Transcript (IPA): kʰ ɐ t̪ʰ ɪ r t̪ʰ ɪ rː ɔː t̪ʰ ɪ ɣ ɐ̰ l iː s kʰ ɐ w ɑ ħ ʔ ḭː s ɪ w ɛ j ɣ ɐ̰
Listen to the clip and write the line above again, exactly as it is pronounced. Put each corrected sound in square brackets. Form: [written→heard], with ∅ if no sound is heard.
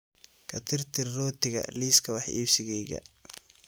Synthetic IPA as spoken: kʰ ɐ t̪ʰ ɪ r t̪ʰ ɪ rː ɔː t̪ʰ ɪ ɣ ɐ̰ l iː s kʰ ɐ w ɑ ħ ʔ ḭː s ɪ [w→ɣ] ɛ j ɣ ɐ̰